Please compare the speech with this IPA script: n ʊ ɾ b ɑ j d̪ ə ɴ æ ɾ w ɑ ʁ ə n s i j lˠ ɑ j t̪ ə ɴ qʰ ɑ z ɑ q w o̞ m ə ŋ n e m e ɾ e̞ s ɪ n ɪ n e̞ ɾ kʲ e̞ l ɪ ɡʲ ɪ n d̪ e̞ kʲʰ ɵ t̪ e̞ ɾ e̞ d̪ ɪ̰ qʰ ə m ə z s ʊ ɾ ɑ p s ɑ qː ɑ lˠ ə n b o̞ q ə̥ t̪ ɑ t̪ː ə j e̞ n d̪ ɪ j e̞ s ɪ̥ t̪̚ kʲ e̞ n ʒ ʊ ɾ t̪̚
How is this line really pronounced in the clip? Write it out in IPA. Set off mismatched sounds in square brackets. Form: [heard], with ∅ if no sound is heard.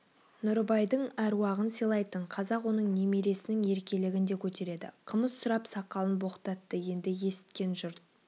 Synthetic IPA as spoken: n ʊ ɾ b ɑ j d̪ ə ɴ æ ɾ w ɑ ʁ ə n s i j lˠ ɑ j t̪ ə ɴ qʰ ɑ z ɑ q w o̞ [n] ə [ɴ] n e m e ɾ e̞ s ɪ n ɪ [ŋ] e̞ ɾ kʲ e̞ l ɪ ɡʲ ɪ n d̪ e̞ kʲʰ ɵ t̪ e̞ ɾ e̞ d̪ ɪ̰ qʰ ə m ə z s ʊ ɾ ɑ p s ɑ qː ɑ lˠ ə n b o̞ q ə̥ t̪ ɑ t̪ː ə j e̞ n d̪ ɪ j e̞ s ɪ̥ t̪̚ kʲ e̞ n ʒ ʊ ɾ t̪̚